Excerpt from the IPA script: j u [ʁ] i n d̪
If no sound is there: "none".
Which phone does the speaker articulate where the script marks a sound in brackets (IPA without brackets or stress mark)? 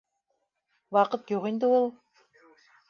ʁ